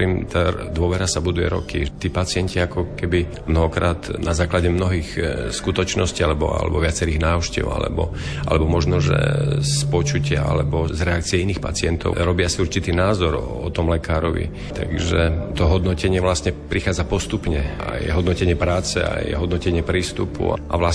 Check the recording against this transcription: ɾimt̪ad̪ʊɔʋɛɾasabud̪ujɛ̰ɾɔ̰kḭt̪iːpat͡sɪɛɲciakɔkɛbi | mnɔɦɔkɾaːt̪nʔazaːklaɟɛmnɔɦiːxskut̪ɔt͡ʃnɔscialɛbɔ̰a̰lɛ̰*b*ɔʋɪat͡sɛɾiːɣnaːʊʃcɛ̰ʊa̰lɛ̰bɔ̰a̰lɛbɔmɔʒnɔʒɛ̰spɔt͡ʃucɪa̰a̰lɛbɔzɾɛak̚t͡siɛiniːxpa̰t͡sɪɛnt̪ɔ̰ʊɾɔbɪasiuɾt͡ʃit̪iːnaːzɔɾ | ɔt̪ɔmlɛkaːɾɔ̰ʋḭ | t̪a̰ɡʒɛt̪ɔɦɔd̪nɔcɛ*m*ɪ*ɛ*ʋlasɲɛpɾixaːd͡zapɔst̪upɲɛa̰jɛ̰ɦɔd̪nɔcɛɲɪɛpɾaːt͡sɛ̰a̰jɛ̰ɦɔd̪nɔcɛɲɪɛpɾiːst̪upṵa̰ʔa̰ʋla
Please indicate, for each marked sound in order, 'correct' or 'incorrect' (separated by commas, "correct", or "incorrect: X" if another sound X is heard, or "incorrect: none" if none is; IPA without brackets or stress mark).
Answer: correct, incorrect: ɲ, correct